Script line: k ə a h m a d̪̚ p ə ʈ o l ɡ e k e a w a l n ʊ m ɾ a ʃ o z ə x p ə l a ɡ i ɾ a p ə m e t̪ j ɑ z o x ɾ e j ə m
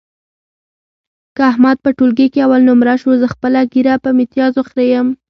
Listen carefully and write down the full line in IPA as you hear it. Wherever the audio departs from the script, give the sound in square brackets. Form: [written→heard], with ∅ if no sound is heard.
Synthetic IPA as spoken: k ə a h m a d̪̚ p ə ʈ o l ɡ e k e a w a l n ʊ m ɾ a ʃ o z ə x p ə l a ɡ i ɾ a p ə m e t̪ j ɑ z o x ɾ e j ə m